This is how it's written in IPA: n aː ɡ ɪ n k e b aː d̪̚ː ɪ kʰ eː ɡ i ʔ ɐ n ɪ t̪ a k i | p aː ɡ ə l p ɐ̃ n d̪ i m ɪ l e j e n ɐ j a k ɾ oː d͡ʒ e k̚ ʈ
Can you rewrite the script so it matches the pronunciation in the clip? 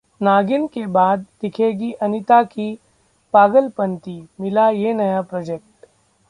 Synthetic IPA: n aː ɡ ɪ n k e b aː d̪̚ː ɪ kʰ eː ɡ i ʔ ɐ n ɪ t̪ a k i | p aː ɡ ə l p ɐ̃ n t̪ i m ɪ l a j e n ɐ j a p ɾ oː d͡ʒ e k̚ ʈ